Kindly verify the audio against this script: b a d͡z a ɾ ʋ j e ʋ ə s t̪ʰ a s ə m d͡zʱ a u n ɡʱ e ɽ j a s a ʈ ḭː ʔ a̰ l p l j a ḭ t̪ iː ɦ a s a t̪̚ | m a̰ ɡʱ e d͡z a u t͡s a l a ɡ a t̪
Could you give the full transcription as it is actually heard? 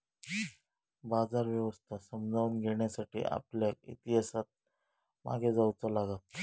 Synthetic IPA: b a d͡z a ɾ ʋ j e ʋ ə s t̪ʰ a s ə m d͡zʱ a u n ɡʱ e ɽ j a s a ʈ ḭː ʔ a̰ p l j a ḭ t̪ i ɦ a s a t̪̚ | m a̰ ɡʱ e d͡z a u t͡s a l a ɡ a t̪